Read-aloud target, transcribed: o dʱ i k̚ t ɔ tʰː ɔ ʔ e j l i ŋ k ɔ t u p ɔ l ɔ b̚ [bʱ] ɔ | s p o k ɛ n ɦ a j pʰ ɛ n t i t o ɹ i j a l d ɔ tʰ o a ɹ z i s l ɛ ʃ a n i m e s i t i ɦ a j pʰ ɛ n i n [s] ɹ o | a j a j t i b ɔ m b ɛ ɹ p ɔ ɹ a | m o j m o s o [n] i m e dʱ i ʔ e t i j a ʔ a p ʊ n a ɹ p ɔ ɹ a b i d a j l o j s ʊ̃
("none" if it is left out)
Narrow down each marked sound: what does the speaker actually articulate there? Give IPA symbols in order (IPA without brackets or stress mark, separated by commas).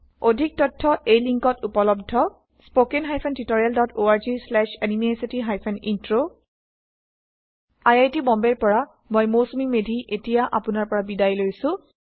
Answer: dʱ, t, m